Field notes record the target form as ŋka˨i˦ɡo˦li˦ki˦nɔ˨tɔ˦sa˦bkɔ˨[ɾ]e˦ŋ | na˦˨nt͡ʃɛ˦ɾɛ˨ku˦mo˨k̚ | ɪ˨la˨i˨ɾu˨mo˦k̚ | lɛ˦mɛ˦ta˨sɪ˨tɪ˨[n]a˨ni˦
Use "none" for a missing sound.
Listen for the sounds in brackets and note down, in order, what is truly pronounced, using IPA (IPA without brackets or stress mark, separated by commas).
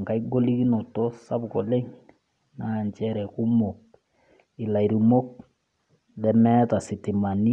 l, m